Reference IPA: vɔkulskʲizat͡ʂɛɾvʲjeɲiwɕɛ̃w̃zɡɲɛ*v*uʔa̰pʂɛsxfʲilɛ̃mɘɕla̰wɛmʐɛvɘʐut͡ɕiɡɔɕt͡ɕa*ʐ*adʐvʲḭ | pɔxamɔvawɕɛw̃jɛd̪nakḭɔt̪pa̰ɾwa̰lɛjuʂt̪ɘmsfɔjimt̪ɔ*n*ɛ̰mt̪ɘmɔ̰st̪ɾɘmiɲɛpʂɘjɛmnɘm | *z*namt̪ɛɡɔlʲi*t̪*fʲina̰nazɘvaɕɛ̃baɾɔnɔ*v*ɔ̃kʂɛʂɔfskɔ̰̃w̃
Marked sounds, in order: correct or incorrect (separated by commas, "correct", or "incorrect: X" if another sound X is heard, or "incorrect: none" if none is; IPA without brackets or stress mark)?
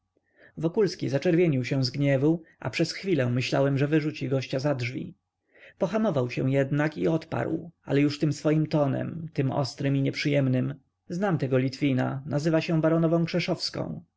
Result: correct, incorrect: z, correct, correct, correct, correct